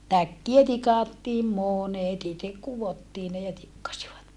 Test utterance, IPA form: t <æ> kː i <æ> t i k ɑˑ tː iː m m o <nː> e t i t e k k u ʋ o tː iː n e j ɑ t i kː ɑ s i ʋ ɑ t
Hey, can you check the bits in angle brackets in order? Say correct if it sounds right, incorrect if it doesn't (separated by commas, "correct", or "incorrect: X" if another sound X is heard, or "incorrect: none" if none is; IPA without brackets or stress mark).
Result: correct, correct, incorrect: n